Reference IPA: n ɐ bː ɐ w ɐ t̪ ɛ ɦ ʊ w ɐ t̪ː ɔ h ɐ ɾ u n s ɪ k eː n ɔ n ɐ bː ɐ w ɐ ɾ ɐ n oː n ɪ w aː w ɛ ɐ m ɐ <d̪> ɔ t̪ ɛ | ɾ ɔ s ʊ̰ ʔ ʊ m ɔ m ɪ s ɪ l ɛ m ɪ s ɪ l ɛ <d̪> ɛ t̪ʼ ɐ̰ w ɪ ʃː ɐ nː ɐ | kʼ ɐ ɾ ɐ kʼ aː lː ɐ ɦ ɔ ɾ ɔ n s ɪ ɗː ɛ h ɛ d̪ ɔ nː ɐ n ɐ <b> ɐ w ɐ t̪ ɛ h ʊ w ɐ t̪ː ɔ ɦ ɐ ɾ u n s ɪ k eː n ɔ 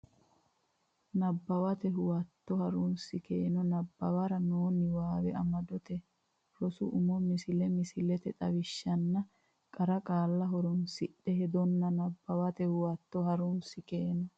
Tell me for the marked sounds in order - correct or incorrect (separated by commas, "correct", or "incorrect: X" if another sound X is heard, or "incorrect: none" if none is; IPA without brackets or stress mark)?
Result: correct, incorrect: t̪, incorrect: bː